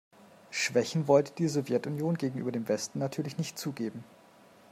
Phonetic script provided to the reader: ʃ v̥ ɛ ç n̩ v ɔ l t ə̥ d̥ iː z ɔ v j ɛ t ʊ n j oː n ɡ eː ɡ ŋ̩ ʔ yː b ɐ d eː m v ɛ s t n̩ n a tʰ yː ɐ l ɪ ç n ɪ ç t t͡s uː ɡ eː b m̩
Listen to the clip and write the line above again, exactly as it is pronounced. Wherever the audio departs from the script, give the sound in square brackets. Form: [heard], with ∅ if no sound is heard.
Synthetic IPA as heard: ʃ v̥ ɛ ç n̩ v ɔ l t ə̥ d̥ iː z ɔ v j ɛ t ʊ n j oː n ɡ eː ɡ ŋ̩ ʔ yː b ɐ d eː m v ɛ s t n̩ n a tʰ yː ɐ l ɪ ç n ɪ ç t t͡s uː ɡ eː b m̩